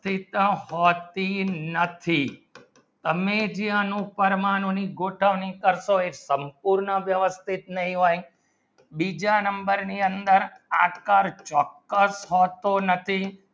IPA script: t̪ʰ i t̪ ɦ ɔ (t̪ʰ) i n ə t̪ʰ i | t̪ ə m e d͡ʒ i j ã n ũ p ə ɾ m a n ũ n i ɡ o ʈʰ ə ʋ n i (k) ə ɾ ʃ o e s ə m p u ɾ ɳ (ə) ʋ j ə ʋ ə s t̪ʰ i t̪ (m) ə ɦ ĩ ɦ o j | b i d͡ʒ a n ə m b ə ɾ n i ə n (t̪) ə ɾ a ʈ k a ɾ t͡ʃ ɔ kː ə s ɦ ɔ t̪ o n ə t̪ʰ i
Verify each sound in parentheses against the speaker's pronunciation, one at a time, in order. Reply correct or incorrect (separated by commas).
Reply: incorrect, correct, correct, incorrect, incorrect